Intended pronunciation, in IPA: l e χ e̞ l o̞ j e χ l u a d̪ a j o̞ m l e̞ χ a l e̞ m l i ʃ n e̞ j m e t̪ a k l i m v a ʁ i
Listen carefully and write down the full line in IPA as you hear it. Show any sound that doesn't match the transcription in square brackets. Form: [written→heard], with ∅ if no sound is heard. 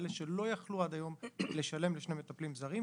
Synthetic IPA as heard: l e [χ→ʃ] e̞ l o̞ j [e→a] χ l u a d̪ a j o̞ m l e̞ [χ→ʃ] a l e̞ m l [i→e] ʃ n e̞ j m e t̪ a [k→p] l i m [v→z] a ʁ i